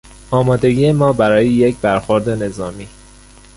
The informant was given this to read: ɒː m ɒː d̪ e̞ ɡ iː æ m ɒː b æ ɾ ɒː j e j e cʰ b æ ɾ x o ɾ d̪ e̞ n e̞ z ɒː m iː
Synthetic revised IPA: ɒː m ɒː d̪ e̞ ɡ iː e m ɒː b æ ɾ ɒː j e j e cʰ b æ ɾ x o ɾ d̪ e̞ n e̞ z ɒː m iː